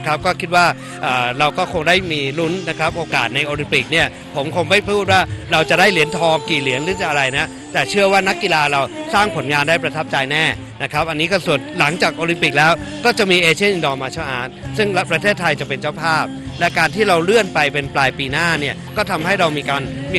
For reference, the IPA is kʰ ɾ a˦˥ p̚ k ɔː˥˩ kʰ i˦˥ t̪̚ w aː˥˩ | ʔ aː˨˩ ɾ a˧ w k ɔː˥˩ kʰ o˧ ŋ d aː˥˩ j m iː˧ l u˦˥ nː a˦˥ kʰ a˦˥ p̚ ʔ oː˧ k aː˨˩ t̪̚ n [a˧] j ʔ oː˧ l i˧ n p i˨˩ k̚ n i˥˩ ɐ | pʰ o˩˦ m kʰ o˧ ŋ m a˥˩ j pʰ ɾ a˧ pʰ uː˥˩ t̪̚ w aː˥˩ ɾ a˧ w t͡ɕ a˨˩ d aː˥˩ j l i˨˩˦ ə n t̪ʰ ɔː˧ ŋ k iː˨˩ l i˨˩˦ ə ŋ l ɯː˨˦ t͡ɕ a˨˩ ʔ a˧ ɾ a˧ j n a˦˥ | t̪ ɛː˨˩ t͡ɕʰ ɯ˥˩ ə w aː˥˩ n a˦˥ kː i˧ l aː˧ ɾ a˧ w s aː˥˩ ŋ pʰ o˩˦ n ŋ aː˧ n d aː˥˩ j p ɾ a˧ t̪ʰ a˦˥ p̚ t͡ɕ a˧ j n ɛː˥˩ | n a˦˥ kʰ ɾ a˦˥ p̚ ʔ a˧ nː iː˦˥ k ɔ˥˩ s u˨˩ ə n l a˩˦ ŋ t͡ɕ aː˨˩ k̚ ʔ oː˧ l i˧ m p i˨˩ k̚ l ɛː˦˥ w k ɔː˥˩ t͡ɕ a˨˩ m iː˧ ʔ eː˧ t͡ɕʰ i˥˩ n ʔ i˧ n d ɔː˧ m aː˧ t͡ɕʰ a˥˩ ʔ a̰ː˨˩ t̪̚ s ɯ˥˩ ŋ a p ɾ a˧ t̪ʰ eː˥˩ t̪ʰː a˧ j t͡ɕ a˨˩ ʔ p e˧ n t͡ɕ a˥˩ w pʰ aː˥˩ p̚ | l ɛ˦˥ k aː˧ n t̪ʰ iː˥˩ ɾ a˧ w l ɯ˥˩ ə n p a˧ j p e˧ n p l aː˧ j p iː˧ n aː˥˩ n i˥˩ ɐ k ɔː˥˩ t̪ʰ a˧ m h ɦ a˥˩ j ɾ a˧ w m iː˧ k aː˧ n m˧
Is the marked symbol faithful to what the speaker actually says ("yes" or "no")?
yes